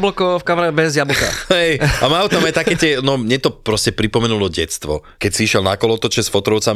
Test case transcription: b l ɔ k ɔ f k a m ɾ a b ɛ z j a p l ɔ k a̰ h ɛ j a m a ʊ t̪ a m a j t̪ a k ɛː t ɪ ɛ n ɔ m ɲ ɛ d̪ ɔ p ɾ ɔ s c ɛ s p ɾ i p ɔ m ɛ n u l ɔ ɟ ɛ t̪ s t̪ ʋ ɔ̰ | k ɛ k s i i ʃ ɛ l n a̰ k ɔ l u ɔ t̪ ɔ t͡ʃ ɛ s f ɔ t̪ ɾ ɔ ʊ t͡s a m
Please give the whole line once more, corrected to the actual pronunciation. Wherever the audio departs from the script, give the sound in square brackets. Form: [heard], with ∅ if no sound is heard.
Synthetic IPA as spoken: b l ɔ k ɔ f k a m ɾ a b ɛ z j a [b] l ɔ k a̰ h ɛ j a m a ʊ t̪ a m a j t̪ a k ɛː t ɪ ɛ n ɔ m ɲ ɛ [t̪] ɔ p ɾ ɔ s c ɛ [∅] p ɾ i p ɔ m ɛ n u l ɔ ɟ ɛ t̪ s t̪ ʋ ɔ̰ | k ɛ [c] s i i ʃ ɛ l n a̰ k ɔ l [ɔ] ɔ t̪ ɔ t͡ʃ ɛ s f ɔ t̪ ɾ ɔ ʊ t͡s a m